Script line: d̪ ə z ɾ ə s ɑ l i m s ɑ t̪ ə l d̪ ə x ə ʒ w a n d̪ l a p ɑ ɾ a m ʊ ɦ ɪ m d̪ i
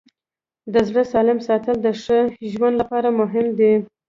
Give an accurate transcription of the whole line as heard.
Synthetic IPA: d̪ ə z ɽ ə s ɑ l ɪ m s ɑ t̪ ə l d̪ ə ʂ ə ʒ w a n d̪ l a p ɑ ɾ a m ʊ ɦ ɪ m d̪ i